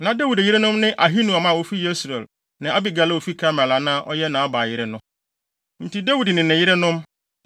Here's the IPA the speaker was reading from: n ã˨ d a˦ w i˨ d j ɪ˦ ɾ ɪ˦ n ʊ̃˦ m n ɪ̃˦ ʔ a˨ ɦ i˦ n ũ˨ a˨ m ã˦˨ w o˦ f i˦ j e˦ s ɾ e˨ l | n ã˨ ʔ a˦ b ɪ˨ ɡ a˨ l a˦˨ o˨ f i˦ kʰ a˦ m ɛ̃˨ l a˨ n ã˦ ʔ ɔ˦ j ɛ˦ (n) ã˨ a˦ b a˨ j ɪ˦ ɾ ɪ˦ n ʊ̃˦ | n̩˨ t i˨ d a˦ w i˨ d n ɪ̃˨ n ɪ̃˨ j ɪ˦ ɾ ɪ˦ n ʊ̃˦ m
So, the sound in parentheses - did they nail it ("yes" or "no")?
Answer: yes